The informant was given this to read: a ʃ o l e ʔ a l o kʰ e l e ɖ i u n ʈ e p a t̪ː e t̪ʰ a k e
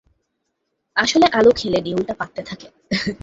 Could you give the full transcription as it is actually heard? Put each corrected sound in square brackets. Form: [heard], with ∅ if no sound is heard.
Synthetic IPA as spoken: a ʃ o l e ʔ a l o kʰ e l e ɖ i u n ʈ [a] p a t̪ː e t̪ʰ a k e